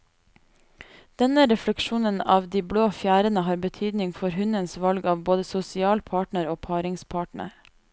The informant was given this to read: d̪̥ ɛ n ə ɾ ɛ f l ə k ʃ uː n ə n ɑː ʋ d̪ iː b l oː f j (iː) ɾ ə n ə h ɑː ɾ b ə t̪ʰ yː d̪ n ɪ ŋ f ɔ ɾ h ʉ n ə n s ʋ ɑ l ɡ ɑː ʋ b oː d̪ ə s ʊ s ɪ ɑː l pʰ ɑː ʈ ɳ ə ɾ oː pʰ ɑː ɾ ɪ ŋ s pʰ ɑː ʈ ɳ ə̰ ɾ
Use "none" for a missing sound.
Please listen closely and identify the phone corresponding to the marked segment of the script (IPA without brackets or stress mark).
æː